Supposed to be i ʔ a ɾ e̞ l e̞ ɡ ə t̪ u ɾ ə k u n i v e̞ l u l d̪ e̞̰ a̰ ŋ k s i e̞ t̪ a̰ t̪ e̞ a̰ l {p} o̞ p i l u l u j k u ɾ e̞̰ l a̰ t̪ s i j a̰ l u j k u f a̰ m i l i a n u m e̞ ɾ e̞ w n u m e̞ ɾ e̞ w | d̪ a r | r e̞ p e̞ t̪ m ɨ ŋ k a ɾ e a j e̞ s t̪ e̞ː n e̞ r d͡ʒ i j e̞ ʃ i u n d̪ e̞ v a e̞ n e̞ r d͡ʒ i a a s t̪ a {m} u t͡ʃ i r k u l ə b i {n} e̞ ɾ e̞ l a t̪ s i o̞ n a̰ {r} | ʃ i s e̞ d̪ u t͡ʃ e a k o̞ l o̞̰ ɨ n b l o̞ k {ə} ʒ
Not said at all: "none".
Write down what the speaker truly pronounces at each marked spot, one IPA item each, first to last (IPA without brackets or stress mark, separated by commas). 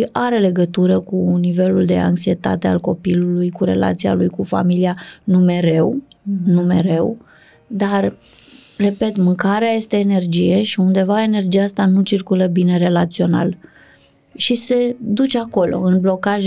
k, n, n, l, a